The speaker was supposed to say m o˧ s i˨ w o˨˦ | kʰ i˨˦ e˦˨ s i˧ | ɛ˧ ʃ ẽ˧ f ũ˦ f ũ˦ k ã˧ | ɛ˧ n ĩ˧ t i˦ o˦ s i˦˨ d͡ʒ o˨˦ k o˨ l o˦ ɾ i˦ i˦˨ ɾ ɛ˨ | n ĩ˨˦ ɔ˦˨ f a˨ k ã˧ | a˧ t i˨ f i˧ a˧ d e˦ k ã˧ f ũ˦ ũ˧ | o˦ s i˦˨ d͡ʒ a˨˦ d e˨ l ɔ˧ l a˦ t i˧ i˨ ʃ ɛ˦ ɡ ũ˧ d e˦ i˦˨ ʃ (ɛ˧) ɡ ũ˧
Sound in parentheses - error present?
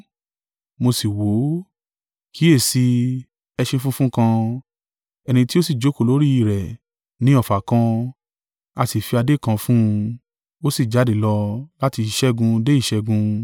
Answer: no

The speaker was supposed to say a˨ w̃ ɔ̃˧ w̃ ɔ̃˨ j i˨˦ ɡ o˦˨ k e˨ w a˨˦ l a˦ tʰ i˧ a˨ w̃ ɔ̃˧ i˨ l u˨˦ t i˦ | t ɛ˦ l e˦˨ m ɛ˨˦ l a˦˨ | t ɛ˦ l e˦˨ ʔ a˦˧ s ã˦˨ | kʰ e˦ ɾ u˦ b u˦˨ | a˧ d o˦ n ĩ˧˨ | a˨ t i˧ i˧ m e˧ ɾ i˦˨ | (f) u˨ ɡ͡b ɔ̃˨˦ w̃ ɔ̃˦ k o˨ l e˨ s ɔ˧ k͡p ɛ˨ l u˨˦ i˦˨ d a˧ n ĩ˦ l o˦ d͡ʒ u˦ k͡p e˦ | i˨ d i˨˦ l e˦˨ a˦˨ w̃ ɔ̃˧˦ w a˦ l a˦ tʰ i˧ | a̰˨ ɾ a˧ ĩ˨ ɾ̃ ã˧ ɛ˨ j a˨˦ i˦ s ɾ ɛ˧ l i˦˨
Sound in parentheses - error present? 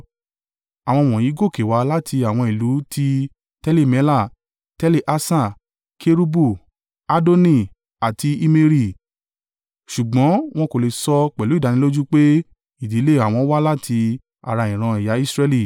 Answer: yes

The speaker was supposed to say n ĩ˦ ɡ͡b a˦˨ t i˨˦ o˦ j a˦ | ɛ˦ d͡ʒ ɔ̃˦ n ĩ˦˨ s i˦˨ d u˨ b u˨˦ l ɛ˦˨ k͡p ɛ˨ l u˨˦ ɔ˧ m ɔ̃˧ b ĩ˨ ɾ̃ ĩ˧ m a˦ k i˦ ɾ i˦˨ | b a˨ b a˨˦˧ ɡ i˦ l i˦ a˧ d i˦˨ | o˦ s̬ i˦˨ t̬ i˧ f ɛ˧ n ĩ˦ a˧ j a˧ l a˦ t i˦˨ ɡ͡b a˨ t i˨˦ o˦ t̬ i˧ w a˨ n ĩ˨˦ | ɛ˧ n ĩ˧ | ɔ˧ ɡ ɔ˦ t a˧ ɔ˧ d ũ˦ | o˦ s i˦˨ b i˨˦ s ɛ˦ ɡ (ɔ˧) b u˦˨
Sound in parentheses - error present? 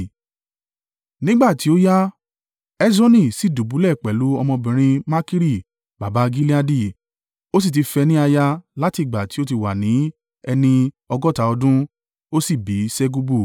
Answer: yes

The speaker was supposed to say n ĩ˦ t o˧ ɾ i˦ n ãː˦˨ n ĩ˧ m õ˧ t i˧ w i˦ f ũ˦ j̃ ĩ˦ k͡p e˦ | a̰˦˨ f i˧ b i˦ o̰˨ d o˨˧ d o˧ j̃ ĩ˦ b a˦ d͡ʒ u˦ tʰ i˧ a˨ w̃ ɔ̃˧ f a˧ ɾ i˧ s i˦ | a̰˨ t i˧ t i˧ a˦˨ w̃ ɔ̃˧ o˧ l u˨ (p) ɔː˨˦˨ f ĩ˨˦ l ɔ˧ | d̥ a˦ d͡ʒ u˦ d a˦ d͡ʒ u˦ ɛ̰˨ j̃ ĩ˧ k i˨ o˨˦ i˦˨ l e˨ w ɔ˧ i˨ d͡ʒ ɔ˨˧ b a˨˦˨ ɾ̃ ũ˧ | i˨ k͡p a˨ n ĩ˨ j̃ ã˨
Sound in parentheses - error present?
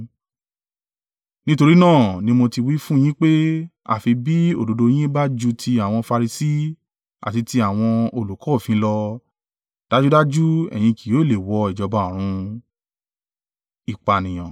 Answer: yes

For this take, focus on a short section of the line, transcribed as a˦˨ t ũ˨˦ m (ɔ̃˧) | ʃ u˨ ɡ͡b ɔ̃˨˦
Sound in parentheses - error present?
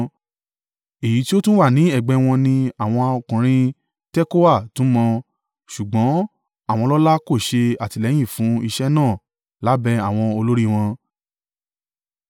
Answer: no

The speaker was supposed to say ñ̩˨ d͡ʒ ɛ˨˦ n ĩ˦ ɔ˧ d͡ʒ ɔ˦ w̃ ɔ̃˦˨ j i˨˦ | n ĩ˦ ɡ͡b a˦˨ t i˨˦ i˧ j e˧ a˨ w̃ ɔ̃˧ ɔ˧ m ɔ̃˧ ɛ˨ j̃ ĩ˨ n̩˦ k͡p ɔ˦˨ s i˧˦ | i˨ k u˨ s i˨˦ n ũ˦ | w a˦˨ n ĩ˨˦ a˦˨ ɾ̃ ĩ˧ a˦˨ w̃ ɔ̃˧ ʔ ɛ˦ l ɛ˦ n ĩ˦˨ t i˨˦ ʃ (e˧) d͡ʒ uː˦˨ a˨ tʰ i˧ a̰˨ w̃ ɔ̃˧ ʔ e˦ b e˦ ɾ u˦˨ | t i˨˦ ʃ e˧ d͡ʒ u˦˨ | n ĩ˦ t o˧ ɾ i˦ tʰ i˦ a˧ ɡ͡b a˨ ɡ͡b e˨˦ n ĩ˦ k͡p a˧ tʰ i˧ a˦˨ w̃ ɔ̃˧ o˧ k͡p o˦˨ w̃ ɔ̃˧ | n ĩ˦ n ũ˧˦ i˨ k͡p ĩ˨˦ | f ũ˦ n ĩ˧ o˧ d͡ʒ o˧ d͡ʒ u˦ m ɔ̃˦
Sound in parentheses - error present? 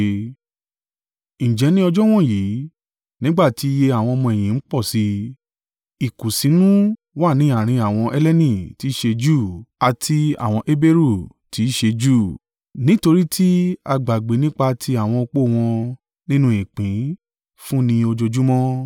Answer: no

